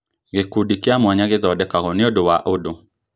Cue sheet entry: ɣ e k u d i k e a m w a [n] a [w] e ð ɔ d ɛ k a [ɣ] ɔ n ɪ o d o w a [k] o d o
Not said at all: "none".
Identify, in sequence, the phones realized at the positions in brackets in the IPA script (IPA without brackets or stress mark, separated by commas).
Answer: ɲ, ɣ, ɣ, ʔ